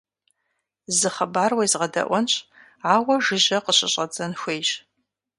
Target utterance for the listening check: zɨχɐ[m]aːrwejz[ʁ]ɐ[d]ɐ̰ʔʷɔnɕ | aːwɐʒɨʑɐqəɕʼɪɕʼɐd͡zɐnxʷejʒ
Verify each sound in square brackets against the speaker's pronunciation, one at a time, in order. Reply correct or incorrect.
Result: incorrect, correct, correct

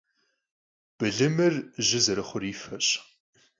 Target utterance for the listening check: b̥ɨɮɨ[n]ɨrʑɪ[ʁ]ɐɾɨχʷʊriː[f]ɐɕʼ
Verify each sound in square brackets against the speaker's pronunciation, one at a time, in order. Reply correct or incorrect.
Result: incorrect, incorrect, correct

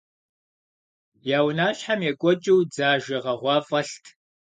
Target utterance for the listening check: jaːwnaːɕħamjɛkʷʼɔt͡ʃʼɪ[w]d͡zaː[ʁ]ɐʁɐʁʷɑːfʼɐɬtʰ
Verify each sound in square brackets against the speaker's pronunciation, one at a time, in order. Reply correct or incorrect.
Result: correct, incorrect

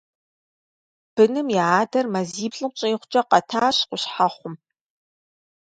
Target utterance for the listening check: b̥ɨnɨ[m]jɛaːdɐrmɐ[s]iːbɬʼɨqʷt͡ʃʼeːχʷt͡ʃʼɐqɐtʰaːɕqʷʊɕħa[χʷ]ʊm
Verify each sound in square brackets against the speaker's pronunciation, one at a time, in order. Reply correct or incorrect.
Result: correct, incorrect, correct

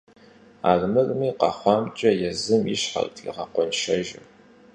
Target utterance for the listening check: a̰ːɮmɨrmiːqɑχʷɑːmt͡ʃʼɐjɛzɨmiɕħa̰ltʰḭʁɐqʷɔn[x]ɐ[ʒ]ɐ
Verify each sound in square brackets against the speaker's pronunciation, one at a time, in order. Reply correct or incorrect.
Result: incorrect, correct

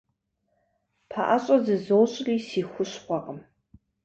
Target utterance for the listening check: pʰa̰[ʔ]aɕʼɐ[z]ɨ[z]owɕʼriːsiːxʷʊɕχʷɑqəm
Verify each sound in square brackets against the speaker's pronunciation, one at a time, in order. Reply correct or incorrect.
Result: correct, correct, correct

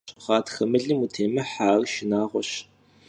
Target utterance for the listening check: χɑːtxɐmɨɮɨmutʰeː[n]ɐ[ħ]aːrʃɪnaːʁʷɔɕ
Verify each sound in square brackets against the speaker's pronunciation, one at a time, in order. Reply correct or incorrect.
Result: incorrect, correct

